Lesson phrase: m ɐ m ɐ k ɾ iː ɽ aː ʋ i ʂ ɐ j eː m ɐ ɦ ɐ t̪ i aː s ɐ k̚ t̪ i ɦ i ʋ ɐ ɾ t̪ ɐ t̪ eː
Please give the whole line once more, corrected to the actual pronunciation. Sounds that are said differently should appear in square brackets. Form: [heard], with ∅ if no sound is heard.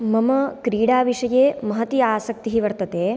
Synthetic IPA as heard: m ɐ m ɐ k ɾ iː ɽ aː ʋ i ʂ ɐ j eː m ɐ ɦ ɐ t̪ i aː s ɐ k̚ t̪ i ɦ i ʋ ɐ ɾ t̪ ɐ t̪ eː